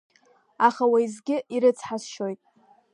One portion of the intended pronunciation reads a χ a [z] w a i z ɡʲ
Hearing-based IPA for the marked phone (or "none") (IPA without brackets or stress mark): none